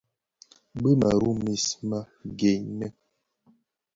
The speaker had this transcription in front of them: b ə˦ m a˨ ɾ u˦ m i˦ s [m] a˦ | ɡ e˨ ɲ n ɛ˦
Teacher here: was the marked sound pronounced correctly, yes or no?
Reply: yes